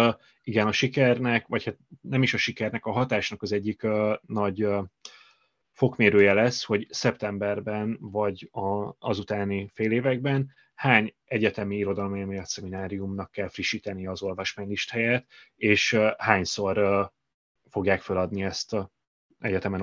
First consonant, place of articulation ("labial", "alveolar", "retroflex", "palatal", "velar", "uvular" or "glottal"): velar